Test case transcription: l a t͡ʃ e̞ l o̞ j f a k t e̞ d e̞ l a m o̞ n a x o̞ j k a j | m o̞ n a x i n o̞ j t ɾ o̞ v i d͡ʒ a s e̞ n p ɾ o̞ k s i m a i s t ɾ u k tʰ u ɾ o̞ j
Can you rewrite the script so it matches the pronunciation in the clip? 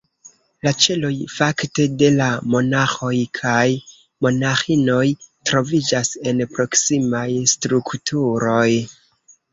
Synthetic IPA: l a t͡ʃ e̞ l o̞ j f a k t e̞ d e̞ l a m o̞ n a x o̞ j kʰ a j | m o̞ n a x i n o̞ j t ɾ o̞ v i d͡ʒ a s e̞ n p ɾ o̞ k s i m a j s t ɾ u k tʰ u ɾ o̞ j